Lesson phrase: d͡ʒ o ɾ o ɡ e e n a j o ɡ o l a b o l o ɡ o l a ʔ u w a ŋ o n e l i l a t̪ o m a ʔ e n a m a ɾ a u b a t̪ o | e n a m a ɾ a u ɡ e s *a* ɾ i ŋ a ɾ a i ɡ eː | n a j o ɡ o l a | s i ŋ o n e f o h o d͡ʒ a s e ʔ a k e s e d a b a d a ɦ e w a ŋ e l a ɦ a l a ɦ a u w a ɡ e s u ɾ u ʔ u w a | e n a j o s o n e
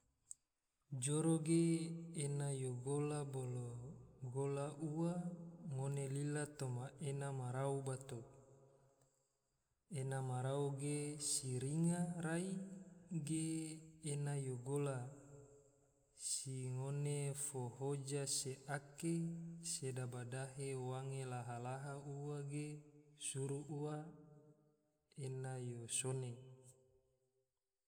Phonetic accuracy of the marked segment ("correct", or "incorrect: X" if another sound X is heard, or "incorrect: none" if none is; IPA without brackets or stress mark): incorrect: i